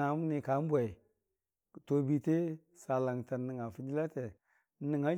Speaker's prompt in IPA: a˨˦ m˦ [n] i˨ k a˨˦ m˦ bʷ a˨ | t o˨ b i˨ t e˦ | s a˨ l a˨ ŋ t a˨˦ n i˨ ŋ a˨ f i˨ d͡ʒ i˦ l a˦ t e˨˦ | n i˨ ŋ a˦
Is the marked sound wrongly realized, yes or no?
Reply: no